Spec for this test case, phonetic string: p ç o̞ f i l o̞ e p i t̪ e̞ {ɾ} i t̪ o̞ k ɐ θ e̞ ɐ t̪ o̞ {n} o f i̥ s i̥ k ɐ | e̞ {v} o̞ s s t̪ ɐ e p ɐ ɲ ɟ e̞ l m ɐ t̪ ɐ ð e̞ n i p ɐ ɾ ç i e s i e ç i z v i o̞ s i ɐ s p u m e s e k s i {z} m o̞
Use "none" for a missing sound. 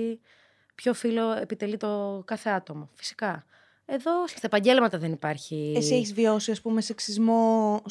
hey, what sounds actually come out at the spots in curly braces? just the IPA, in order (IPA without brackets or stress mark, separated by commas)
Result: l, m, ð, z